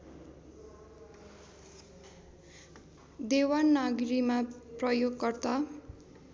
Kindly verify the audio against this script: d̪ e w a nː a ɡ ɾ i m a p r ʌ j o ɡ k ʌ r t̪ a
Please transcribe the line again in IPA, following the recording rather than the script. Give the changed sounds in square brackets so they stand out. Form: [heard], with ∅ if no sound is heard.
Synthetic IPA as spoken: d̪ e w a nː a ɡ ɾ i m a p r ʌ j o ɡ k ʌ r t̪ a